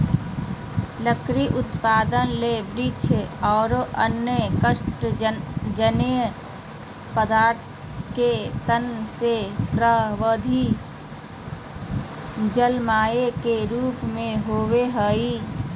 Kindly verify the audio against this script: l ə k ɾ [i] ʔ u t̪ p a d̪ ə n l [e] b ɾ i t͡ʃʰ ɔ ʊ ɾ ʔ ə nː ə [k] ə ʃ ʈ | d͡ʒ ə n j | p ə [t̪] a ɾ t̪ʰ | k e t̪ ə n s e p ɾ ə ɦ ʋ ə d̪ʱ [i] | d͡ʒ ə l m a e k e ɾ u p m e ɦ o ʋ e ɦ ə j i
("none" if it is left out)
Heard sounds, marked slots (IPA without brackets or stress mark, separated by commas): i, e, k, d̪, i